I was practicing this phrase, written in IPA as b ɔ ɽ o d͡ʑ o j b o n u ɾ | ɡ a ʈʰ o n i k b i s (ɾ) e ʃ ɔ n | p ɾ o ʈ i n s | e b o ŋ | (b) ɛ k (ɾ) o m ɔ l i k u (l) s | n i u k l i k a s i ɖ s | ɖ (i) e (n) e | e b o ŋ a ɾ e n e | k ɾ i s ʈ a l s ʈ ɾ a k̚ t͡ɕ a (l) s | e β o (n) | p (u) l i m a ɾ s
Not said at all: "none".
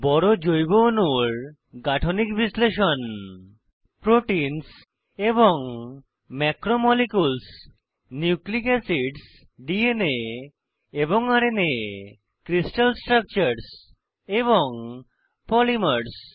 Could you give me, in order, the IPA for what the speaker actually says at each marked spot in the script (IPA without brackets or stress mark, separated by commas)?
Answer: l, m, ɾ, l, i, n, ɾ, ŋ, ɔ